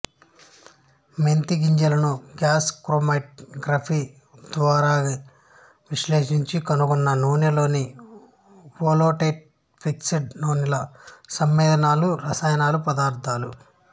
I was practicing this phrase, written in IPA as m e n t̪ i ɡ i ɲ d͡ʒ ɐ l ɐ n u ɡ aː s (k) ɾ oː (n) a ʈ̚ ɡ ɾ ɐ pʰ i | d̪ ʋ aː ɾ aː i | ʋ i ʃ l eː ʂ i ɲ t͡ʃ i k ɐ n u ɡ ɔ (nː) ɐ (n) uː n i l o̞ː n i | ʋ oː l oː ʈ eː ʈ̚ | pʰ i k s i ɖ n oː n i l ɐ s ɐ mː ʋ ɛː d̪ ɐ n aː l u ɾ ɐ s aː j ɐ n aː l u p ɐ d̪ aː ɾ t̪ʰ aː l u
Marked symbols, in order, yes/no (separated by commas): yes, no, yes, yes